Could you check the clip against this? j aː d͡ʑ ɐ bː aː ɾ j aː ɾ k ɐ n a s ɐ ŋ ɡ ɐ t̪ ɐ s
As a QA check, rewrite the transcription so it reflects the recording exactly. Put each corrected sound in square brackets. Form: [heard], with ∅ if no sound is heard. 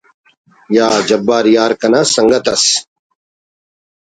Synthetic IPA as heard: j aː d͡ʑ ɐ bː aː ɾ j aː ɾ k ɐ n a s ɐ ŋ ɡ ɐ t̪ ɐ s